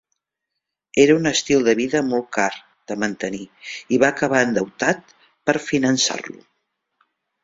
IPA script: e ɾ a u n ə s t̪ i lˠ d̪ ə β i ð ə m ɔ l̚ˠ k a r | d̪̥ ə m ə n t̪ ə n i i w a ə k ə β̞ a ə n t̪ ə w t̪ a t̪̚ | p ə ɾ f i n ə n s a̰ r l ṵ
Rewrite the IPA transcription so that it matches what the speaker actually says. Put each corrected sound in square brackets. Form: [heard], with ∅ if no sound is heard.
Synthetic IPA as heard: e ɾ [ə] u n ə s t̪ i lˠ d̪ ə β i ð ə m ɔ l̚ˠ k a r | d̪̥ ə m ə n t̪ ə n i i [β] a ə k ə β̞ a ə n [d̪] ə w t̪ a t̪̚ | p ə ɾ f i n ə n s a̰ r l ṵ